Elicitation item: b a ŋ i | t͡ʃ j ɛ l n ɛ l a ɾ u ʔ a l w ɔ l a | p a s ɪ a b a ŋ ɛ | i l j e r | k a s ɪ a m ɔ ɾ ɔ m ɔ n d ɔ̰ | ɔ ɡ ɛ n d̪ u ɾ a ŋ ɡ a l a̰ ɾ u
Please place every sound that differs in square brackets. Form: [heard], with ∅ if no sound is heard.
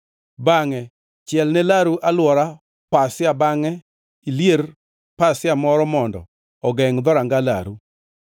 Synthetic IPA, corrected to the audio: b a ŋ [ɛ] | t͡ʃ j ɛ l n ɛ l a ɾ u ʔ a l w ɔ [ɾ] a | p a s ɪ a b a ŋ ɛ | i l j e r | [p] a s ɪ a m ɔ ɾ ɔ m ɔ n d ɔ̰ | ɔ ɡ ɛ [ŋ] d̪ [ɔ] ɾ a ŋ ɡ a l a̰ ɾ u